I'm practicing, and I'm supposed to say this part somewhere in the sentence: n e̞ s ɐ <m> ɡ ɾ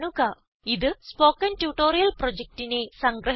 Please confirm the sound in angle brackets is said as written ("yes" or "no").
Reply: no